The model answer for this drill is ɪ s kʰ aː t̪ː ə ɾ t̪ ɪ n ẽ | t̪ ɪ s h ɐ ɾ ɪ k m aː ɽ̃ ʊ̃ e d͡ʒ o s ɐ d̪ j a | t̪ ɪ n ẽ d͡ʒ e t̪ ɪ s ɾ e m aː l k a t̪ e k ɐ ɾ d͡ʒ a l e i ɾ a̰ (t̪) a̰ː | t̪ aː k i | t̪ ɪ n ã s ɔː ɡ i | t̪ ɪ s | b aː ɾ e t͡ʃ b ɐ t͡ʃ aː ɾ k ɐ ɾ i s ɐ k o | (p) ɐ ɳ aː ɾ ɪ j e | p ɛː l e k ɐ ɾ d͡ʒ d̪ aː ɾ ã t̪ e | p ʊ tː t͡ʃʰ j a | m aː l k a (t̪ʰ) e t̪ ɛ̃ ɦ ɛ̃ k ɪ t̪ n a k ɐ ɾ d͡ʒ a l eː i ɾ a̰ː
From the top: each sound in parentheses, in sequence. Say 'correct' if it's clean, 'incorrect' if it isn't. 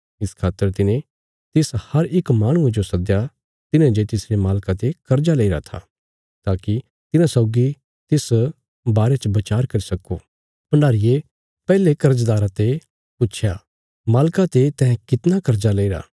incorrect, correct, incorrect

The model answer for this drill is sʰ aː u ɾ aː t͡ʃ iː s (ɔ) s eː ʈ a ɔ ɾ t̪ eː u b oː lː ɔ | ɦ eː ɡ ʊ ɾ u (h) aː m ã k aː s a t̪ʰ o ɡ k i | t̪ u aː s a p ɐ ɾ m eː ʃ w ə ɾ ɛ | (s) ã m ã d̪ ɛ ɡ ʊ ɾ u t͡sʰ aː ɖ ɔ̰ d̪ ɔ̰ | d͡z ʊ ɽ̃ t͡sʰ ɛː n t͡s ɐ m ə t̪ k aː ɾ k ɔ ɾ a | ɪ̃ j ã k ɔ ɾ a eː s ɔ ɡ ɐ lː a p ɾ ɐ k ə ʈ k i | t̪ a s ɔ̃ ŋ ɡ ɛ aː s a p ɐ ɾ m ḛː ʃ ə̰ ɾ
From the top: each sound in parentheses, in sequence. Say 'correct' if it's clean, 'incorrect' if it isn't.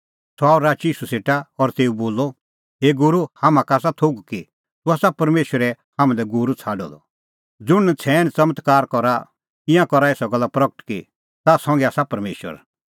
incorrect, correct, incorrect

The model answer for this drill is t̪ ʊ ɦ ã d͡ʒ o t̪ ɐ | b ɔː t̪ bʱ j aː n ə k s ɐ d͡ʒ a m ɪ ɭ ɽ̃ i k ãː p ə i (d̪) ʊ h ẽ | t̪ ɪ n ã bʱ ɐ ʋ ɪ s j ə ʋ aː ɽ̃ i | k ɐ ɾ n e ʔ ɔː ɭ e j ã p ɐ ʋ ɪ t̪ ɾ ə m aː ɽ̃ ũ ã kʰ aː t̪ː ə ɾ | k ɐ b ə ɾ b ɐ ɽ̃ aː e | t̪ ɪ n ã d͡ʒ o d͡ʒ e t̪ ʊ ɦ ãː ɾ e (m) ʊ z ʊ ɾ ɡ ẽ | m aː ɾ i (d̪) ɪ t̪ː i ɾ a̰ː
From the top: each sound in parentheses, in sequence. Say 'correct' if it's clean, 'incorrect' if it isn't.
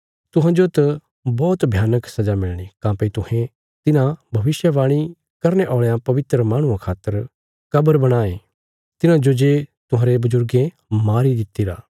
incorrect, incorrect, correct

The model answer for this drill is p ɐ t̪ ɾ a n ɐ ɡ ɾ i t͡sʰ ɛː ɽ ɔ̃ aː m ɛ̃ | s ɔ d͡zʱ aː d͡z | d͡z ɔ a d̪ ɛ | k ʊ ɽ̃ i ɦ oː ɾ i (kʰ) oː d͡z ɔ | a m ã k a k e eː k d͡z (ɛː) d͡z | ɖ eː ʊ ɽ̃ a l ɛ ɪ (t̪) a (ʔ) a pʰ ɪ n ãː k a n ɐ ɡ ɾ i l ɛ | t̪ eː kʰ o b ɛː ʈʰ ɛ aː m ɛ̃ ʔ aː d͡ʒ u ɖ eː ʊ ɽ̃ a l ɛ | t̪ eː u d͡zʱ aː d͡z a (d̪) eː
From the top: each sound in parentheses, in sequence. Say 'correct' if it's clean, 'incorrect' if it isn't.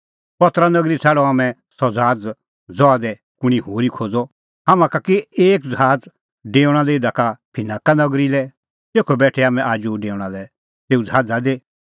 correct, incorrect, incorrect, incorrect, correct

